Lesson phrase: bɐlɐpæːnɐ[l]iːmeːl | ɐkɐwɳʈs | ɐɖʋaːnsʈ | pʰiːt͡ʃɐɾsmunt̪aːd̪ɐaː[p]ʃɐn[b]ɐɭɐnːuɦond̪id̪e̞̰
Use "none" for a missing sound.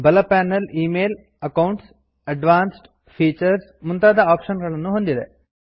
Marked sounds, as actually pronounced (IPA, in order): l, p, ɡ

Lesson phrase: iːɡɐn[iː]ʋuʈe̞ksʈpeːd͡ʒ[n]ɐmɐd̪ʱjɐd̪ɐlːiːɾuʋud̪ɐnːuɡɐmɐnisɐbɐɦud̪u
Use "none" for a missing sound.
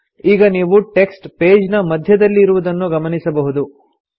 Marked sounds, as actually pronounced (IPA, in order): iː, n

